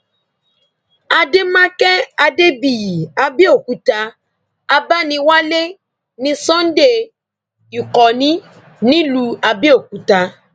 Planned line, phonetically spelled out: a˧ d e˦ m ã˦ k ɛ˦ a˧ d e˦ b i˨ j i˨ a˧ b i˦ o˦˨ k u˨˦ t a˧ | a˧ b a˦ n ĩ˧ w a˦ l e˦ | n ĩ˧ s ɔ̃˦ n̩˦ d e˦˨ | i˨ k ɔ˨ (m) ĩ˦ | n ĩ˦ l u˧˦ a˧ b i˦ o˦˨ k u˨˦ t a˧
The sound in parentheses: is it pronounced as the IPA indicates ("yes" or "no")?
no